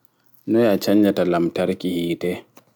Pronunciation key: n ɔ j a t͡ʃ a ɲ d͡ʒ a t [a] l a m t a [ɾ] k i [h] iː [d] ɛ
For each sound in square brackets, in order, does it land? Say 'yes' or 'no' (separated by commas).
yes, yes, yes, no